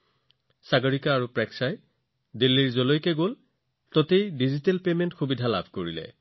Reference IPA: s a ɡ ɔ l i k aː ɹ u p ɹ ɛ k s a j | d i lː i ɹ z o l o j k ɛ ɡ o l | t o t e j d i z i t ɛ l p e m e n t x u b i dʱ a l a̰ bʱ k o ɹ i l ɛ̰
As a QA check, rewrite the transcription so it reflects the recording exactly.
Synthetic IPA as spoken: s a ɡ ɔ ɹ i k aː ɹ u p ɹ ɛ k s a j | d i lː i ɹ z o l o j k ɛ ɡ o l | t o t e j d i z i t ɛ l p e m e n t x u b i dʱ a l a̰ bʱ k o ɹ i l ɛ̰